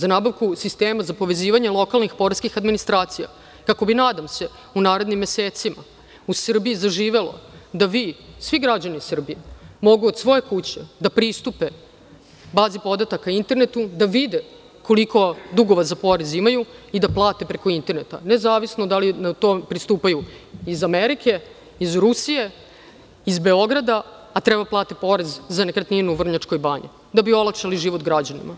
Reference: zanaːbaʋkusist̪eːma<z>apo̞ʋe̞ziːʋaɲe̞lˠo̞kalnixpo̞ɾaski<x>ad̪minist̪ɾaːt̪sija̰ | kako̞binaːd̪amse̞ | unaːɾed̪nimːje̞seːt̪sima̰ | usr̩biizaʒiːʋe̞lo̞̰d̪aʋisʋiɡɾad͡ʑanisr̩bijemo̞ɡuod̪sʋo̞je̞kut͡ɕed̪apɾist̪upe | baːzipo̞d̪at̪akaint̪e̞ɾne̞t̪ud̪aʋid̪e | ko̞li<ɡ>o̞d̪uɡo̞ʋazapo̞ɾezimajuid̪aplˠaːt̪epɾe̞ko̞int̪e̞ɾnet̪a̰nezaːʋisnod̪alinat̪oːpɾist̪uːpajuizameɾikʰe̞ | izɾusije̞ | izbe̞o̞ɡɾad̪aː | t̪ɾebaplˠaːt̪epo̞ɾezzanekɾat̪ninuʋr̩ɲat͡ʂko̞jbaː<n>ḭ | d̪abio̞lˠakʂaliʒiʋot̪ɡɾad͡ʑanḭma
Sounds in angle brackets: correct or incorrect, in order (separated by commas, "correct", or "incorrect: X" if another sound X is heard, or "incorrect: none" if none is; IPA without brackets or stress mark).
correct, correct, incorrect: k, incorrect: ɲ